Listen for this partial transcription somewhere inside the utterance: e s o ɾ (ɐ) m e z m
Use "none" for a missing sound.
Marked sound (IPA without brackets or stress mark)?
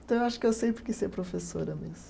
ɐ